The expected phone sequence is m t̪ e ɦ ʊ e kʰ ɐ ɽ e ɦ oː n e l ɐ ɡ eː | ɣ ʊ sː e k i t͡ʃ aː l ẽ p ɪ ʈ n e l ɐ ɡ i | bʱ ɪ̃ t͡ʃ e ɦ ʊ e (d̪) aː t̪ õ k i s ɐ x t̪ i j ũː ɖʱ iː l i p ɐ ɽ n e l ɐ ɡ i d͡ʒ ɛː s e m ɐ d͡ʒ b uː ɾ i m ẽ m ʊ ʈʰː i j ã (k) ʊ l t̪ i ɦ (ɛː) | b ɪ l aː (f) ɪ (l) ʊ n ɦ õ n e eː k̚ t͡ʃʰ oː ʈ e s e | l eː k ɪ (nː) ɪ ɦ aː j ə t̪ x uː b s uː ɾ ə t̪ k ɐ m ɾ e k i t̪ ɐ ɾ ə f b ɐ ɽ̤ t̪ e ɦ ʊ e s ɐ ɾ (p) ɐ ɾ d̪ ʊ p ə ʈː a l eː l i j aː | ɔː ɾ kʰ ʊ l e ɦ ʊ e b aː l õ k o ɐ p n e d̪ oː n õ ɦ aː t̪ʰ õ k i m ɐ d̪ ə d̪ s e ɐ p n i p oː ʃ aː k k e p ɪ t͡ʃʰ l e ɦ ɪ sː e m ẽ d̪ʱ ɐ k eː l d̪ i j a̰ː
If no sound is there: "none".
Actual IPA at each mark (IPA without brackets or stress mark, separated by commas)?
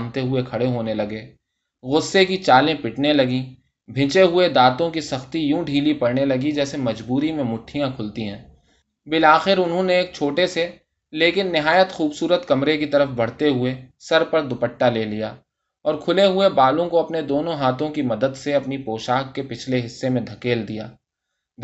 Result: d̪, kʰ, ɛ̃ː, x, ɾ, nː, p